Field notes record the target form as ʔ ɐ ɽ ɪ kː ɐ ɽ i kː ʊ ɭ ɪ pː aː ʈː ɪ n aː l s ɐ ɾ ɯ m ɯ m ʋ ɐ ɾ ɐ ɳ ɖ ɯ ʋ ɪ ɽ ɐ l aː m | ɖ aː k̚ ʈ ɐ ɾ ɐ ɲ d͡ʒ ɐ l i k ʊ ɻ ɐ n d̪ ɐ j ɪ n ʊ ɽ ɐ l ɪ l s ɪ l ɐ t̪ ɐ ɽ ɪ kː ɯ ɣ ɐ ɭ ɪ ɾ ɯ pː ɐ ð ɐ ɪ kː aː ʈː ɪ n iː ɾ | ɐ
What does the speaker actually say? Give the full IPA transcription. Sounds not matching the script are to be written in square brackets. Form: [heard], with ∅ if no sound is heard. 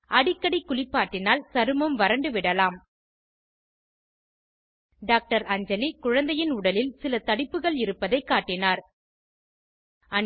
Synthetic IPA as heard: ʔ ɐ ɽ ɪ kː ɐ ɽ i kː ʊ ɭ ɪ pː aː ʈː ɪ n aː l s ɐ ɾ ɯ m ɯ m ʋ ɐ ɾ ɐ ɳ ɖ ɯ ʋ ɪ ɽ ɐ l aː m | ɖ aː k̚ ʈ ɐ ɾ ɐ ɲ d͡ʒ ɐ l i k ʊ ɻ ɐ n d̪ ɐ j ɪ n ʊ ɽ ɐ l ɪ l s ɪ l ɐ t̪ ɐ ɽ ɪ [pː] ɯ ɣ ɐ ɭ ɪ ɾ ɯ pː ɐ ð ɐ ɪ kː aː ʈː ɪ n [aː] ɾ | ɐ